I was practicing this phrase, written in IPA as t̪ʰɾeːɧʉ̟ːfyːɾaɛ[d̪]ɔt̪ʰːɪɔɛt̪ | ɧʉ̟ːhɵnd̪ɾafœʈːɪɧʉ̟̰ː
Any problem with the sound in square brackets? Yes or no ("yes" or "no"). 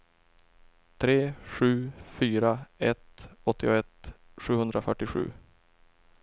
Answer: yes